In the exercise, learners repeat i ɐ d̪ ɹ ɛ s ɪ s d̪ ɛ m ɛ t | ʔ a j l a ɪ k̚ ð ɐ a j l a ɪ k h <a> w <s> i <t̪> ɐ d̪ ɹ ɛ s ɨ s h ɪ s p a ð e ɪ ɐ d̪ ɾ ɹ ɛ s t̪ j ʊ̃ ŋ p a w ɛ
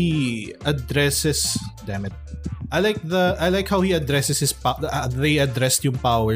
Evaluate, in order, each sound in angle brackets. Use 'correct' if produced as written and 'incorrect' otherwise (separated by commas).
correct, incorrect, incorrect